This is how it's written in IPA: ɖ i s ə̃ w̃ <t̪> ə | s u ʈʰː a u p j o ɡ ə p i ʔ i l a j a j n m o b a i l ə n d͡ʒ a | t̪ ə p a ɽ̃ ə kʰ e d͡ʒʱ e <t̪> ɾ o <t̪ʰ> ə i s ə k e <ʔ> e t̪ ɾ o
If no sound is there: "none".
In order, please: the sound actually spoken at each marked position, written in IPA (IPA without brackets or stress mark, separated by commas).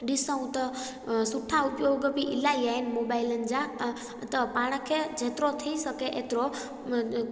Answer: t̪, t̪, t̪ʰ, ʔ